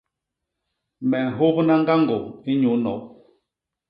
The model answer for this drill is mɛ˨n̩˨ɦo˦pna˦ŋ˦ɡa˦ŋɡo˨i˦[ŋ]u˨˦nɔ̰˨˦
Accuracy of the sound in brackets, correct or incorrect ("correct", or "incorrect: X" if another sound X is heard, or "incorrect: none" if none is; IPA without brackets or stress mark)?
incorrect: ɲ